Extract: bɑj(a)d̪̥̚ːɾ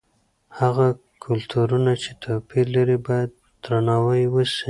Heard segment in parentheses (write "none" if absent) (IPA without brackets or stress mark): a